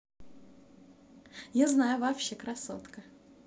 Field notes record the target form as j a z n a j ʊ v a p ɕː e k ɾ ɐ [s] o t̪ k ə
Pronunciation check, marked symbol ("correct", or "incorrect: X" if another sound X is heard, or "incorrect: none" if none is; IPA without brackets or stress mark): correct